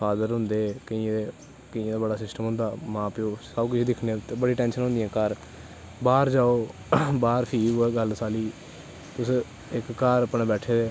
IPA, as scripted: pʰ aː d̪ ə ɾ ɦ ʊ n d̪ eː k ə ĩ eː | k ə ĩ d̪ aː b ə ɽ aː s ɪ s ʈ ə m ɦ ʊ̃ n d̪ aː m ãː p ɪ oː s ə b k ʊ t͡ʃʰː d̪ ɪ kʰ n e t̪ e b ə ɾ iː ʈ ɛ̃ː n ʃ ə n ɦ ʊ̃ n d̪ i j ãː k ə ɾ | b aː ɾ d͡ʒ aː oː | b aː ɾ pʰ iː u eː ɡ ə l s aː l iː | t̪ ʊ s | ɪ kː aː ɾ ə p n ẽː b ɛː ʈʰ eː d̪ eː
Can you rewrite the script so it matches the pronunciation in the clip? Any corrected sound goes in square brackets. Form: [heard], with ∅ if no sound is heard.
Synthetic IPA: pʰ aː d̪ ə ɾ ɦ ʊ n d̪ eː k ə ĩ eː | k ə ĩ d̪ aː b ə ɽ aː s ɪ s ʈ ə m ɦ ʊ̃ n d̪ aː m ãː p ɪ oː s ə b k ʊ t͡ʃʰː d̪ ɪ kʰ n e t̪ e b ə [ɽ] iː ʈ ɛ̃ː n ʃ ə n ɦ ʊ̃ n d̪ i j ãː k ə ɾ | b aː ɾ d͡ʒ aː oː | b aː ɾ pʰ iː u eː ɡ ə l s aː l iː | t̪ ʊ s | ɪ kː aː ɾ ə p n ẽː b ɛː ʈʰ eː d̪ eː